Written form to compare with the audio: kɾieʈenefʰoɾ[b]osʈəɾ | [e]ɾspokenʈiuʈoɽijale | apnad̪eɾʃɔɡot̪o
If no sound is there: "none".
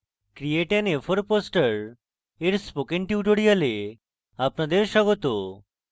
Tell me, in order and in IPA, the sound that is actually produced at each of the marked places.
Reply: p, e

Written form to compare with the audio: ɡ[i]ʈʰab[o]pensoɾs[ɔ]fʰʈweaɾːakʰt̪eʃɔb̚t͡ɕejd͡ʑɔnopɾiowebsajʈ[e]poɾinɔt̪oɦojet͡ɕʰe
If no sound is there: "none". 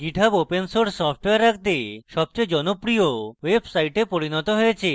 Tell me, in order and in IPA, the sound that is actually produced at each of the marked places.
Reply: i, o, ɔ, e

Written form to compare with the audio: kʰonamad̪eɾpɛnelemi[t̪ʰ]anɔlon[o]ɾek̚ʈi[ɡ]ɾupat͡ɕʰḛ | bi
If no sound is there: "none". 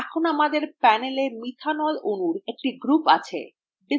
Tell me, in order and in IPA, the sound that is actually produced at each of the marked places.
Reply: t̪ʰ, u, ɡ

